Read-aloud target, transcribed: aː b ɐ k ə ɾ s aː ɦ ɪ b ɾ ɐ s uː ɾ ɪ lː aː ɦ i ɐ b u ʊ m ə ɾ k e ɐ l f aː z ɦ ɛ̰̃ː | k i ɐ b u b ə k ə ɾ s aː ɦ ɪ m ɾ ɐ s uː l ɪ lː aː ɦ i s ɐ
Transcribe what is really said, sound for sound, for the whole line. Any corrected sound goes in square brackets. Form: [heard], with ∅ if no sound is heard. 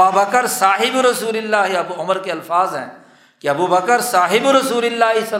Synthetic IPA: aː b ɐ k ə ɾ s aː ɦ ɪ b ɾ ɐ s uː [l] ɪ lː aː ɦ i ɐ b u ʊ m ə ɾ k e ɐ l f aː z ɦ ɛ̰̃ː | k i ɐ b u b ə k ə ɾ s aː ɦ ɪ [b] ɾ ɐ s uː l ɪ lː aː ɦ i s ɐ